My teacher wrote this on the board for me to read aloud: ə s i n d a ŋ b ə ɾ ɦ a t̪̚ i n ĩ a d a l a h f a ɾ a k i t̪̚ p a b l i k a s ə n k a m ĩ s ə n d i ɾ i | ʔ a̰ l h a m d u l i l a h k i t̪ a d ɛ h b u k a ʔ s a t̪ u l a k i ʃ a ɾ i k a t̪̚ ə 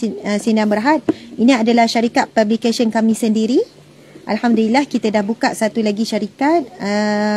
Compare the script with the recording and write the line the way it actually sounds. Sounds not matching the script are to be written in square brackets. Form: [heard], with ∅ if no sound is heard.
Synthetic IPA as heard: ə s i n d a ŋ b ə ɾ ɦ a t̪̚ i n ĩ a d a l a h [ʃ] a ɾ [i] k [a] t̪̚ p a b l i k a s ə n k a m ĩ s ə n d i ɾ i | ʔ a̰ l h a m d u l i l a h k i t̪ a d [a] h b u k a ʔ s a t̪ u l a [ɡ] i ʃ a ɾ i k a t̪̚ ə

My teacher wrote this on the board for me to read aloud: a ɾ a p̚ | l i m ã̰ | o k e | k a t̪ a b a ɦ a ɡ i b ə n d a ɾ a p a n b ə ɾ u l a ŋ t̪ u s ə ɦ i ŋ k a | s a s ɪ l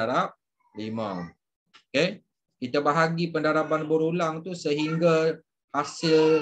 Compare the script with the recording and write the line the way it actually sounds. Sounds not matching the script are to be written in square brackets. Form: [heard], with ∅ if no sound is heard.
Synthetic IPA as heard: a ɾ a p̚ | l i m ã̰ | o k e | k [i] t̪ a b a ɦ a ɡ i [p] ə n d a ɾ a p a n b ə ɾ u l a ŋ t̪ u s ə ɦ i ŋ [ɡ] a | [h] a s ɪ l

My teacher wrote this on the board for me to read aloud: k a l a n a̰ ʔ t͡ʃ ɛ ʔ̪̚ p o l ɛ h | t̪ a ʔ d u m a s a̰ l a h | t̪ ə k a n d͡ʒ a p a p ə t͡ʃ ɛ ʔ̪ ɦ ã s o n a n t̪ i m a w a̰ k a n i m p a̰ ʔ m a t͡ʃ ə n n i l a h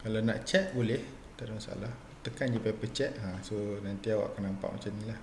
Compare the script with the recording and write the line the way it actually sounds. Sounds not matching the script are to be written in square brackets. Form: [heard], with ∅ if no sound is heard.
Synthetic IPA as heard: k a l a n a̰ ʔ t͡ʃ ɛ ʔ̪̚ [b] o l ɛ h | t̪ a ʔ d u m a s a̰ l a h | t̪ ə k a n d͡ʒ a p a p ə t͡ʃ ɛ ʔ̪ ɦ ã s o n a n t̪ i [∅] a w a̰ k a n [a] m p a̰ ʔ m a t͡ʃ [a] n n i l a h

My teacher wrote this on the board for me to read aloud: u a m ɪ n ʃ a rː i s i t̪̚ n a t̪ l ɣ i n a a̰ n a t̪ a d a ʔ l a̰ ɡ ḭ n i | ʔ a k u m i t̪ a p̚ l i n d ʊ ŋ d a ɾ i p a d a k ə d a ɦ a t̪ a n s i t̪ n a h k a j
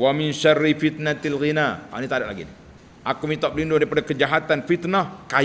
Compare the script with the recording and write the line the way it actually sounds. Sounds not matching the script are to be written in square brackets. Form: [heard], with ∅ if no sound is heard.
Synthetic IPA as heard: [w] a m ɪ n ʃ a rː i [f] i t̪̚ n a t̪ l ɣ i n a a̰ n [i] t̪ a d a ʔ l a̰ ɡ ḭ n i | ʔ a k u m i t̪ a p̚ l i n d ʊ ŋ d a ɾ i p a d a k ə [d͡ʒ] a ɦ a t̪ a n [f] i t̪ n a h k a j

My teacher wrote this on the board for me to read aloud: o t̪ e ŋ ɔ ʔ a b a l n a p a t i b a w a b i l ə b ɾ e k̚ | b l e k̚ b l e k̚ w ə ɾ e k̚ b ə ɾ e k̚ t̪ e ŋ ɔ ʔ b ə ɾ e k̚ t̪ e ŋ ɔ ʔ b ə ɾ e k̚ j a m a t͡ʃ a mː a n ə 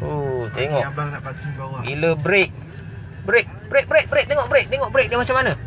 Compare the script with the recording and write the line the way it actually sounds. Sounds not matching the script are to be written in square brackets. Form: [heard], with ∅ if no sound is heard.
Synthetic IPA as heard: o t̪ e ŋ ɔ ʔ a b a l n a p a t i b a w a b i l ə b ɾ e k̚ | b [ɾ] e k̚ b [ɾ] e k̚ [b] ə ɾ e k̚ b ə ɾ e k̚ t̪ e ŋ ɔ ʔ b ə ɾ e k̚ t̪ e ŋ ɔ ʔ b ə ɾ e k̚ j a m a t͡ʃ a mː a n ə

